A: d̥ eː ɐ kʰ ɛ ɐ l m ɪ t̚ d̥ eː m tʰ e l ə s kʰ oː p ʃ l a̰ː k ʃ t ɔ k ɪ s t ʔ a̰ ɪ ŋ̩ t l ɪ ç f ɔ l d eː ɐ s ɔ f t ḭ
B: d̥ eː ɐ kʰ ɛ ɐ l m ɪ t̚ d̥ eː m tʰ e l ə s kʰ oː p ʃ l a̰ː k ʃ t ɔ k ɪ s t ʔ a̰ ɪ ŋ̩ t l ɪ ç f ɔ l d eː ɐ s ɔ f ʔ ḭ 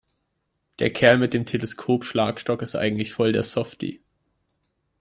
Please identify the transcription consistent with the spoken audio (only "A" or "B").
A